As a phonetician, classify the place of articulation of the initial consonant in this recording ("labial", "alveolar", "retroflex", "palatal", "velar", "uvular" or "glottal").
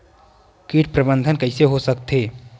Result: velar